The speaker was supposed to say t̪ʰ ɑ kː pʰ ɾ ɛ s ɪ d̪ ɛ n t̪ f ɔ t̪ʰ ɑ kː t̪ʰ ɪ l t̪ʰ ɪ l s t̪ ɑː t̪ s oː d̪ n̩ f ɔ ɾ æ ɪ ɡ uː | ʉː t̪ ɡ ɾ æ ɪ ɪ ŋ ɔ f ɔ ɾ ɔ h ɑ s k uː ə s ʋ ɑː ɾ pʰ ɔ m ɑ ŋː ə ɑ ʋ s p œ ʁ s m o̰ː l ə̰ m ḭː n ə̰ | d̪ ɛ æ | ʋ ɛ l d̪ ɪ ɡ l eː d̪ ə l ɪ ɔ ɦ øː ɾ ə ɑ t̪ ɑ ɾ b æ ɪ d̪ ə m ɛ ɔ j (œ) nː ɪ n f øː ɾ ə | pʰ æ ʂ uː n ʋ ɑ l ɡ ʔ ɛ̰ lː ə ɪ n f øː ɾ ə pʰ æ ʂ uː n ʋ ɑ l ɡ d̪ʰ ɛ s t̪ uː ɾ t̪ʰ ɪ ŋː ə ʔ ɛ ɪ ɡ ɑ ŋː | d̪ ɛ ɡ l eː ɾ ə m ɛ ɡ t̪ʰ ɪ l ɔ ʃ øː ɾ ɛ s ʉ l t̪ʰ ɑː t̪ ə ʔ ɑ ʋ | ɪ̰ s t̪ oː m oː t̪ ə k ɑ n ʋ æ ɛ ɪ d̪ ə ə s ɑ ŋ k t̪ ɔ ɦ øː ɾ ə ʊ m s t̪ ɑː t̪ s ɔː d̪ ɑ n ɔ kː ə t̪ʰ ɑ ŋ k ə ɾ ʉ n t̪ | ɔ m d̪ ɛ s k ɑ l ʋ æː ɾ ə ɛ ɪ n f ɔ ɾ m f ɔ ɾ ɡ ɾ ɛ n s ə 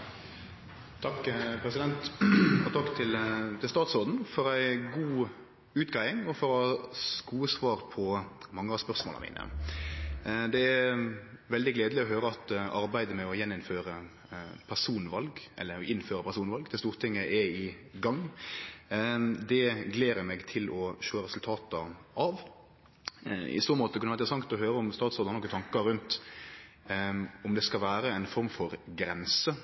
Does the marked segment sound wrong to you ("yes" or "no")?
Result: yes